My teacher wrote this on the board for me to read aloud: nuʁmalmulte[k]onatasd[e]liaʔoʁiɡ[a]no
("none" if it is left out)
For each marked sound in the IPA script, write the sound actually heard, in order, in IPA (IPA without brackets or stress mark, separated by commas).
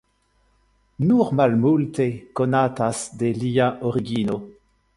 k, e, i